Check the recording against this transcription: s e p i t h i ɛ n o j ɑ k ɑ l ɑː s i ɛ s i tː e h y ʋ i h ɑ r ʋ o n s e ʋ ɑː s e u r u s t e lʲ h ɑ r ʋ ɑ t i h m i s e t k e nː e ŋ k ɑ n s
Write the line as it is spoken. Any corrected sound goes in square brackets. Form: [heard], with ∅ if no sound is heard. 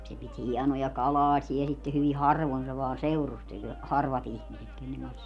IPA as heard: s e p i t h i ɛ n o j ɑ k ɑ l ɑː s i ɛ s i tː e h y ʋ i h ɑ r ʋ o n s e ʋ ɑː s e u r u s t e lʲ h ɑ r ʋ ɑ t i h m i s e t k e nː e ŋ k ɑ n s